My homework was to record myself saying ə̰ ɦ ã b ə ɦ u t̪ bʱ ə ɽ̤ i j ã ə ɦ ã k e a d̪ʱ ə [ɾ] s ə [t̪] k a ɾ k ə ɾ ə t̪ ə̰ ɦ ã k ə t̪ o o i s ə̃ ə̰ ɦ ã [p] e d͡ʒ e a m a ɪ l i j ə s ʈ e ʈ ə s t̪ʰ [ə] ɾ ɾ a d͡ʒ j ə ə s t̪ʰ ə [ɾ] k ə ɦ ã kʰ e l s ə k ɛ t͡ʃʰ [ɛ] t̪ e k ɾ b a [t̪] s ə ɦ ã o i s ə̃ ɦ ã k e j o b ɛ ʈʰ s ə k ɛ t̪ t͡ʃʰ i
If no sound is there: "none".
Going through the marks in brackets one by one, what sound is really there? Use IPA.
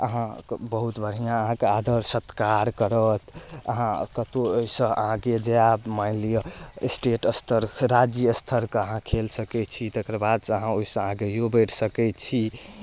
ɾ, t̪, k, ə, ɾ, i, d̪

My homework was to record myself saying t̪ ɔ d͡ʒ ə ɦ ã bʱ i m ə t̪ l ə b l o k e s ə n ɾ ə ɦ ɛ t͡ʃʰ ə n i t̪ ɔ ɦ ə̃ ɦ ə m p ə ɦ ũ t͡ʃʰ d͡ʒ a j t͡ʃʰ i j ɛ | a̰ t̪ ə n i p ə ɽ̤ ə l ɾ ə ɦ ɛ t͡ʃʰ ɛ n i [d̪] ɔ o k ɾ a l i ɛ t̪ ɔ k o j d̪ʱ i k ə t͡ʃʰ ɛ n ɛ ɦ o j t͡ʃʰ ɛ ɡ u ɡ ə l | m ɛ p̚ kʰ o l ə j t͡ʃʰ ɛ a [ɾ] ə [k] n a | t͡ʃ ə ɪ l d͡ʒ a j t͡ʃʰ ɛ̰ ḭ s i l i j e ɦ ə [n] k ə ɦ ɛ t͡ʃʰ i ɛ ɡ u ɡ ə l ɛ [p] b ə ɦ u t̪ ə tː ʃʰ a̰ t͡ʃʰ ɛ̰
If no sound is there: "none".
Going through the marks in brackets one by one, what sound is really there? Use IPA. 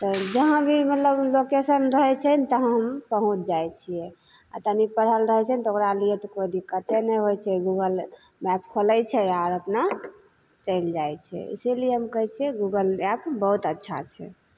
t̪, ɾ, p, m, p

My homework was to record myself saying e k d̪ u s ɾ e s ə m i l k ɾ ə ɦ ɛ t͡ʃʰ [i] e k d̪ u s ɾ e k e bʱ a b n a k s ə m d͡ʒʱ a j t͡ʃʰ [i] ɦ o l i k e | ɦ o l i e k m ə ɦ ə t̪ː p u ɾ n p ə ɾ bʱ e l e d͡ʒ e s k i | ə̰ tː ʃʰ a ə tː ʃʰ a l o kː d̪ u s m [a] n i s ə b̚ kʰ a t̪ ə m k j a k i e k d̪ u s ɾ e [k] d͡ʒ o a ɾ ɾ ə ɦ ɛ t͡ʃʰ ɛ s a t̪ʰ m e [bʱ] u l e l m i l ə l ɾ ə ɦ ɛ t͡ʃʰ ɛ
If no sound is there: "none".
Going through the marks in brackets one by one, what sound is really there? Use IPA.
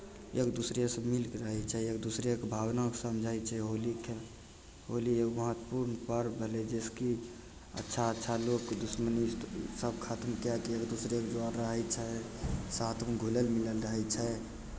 ɛ, ɛ, ə, k, ɡʱ

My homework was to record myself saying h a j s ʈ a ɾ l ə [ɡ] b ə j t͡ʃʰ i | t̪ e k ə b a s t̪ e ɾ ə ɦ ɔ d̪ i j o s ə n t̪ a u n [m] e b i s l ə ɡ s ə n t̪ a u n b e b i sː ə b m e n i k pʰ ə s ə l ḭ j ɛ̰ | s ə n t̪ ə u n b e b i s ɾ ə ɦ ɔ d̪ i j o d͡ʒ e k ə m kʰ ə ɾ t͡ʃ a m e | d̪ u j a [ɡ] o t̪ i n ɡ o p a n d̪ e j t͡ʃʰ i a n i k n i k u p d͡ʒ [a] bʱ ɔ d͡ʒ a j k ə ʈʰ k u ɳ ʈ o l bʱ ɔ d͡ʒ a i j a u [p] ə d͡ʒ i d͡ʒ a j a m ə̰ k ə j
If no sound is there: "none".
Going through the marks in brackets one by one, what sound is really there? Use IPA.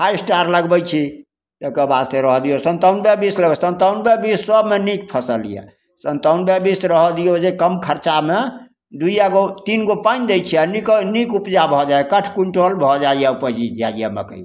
ɡ, b, ɡ, a, p

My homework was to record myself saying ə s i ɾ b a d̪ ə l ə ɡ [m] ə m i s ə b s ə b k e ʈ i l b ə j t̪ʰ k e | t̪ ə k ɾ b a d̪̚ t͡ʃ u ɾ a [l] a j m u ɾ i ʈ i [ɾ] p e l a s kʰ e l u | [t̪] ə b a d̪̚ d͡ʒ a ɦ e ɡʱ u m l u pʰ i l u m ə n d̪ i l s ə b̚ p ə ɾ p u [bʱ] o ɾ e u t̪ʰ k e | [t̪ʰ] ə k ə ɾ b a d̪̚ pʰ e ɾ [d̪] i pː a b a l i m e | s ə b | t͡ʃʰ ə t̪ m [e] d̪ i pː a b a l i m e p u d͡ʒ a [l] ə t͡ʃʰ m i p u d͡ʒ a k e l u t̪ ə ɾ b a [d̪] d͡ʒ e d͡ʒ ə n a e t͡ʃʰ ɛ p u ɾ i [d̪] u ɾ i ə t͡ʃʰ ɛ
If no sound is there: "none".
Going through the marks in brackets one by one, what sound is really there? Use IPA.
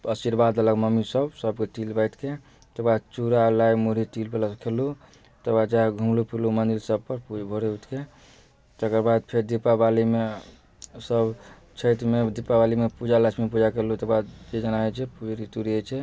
m, l, l, t̪, bʱ, t̪, d̪, e, l, d̪, t̪

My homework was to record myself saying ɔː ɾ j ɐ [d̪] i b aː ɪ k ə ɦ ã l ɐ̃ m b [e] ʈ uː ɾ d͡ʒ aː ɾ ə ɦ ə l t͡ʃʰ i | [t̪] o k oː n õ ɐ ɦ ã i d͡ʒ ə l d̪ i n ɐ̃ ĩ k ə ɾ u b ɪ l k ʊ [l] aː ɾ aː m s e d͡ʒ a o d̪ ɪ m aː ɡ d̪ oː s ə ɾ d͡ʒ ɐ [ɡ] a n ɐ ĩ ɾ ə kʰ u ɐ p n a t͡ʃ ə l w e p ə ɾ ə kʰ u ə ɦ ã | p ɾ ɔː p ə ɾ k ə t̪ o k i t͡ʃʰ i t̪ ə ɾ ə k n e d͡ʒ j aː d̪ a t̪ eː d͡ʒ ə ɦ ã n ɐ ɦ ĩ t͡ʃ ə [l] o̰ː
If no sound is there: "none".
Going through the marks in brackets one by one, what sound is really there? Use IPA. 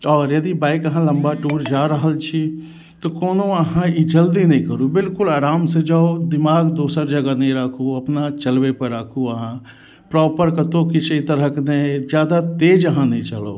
d̪, a, t̪, l, ɡ, l

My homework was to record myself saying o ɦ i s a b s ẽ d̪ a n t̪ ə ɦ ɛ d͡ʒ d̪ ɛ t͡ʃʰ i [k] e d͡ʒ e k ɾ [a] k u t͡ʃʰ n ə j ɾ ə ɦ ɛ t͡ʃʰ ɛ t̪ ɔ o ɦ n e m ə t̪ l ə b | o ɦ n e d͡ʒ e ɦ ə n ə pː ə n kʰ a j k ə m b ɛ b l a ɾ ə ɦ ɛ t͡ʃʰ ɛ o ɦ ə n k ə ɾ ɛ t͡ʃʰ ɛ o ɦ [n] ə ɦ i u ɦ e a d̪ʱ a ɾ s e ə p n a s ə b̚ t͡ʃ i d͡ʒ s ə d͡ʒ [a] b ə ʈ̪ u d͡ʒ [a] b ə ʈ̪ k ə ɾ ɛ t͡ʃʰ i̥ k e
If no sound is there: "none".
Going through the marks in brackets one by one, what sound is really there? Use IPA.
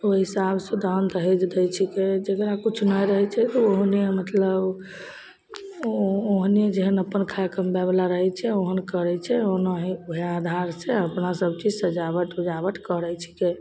k, a, n, a, a

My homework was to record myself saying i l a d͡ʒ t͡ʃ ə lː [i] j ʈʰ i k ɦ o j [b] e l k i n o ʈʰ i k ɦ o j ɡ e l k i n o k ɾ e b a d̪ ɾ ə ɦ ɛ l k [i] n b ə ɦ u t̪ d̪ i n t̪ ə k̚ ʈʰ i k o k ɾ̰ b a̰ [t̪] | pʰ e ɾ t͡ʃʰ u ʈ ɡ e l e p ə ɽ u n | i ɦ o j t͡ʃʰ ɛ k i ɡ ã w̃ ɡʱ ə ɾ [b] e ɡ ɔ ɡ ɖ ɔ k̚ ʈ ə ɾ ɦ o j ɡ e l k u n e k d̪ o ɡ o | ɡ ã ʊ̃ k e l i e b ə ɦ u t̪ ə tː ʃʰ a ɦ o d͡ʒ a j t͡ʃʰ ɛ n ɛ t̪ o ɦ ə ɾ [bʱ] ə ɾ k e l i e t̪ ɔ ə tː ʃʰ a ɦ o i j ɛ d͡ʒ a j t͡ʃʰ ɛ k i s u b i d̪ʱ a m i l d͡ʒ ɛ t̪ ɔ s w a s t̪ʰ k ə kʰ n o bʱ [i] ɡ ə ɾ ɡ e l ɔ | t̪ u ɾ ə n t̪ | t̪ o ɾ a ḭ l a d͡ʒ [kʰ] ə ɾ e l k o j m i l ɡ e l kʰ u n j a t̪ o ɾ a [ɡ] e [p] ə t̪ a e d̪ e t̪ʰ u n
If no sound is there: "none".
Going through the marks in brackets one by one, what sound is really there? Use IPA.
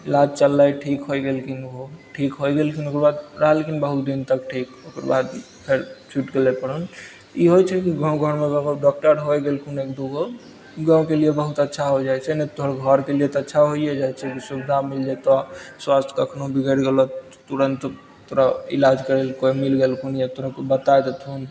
a, ɡ, i, d̪, m, ɡʱ, i, k, k, b

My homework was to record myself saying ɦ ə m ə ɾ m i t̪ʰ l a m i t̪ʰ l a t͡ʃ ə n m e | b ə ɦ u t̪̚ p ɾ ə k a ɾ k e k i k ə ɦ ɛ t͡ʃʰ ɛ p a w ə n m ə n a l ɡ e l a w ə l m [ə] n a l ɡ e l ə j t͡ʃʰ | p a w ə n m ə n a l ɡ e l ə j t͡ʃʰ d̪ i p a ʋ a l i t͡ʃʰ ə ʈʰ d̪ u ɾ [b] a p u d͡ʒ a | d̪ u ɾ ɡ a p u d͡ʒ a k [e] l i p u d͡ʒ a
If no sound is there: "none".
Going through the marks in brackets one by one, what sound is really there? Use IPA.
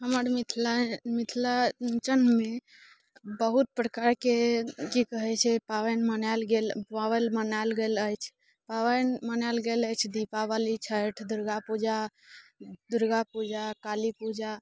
ə, ɡ, a

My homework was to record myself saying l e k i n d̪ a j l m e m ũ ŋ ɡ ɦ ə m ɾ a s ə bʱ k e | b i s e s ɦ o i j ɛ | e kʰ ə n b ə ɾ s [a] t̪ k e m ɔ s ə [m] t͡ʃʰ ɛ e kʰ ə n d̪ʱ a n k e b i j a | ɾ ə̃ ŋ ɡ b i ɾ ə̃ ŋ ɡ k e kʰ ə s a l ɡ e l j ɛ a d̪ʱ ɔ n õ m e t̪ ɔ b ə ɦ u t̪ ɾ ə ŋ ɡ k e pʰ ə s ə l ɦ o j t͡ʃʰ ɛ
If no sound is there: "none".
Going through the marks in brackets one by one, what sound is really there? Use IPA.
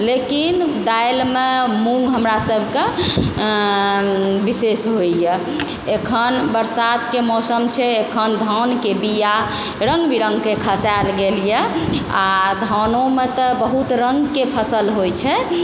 a, m

